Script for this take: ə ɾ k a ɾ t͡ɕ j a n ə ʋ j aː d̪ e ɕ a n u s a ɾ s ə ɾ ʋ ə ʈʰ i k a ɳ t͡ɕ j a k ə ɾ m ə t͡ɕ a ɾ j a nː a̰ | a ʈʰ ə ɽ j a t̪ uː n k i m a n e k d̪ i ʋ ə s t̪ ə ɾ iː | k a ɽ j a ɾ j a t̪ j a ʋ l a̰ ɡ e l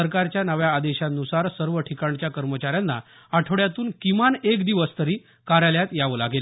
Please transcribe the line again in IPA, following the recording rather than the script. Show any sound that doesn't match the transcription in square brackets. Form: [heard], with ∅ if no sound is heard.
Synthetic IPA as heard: ə ɾ k a ɾ t͡ɕ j a n ə ʋ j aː d̪ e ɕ a n u s a ɾ s ə ɾ ʋ ə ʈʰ i k a ɳ t͡ɕ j a k ə ɾ m ə t͡ɕ a ɾ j a nː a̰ | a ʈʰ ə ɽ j a t̪ uː n k i m a n e k d̪ i ʋ ə s t̪ ə ɾ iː | k a [ɾ] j a [l] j a t̪ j a ʋ l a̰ ɡ e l